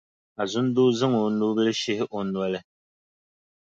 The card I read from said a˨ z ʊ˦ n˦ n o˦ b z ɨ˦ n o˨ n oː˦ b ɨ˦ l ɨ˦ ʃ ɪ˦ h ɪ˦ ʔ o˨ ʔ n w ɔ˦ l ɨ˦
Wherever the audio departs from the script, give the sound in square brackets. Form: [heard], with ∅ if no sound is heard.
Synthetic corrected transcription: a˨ z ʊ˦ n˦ [d] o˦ [∅] z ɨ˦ [ŋ] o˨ n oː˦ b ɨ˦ l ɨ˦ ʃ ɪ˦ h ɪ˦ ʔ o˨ [∅] n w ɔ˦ l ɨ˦